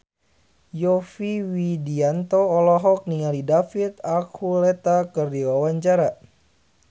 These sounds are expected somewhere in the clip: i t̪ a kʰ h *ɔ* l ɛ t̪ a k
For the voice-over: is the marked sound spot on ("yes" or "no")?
no